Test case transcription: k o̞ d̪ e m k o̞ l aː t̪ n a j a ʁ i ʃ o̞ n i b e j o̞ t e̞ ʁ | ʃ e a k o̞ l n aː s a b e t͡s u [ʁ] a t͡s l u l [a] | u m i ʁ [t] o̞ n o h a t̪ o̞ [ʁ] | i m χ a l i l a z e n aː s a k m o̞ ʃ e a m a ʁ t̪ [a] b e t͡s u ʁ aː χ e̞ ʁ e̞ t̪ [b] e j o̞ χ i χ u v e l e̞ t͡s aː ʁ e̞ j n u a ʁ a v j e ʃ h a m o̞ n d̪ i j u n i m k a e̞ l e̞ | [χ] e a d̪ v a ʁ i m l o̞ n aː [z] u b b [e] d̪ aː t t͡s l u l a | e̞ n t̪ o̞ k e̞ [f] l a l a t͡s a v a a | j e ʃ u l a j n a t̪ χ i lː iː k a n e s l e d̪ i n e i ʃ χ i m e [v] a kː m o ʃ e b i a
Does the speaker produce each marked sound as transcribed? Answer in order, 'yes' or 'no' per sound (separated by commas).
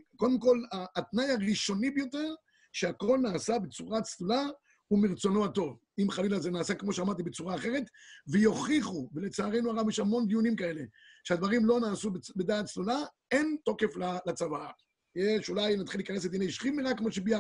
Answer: yes, yes, no, no, no, no, no, no, yes, yes, no